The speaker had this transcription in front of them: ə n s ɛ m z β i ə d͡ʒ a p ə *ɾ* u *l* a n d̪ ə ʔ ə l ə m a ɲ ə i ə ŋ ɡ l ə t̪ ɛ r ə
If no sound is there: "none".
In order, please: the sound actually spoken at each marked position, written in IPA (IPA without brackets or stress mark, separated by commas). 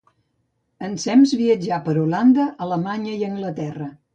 ɾ, l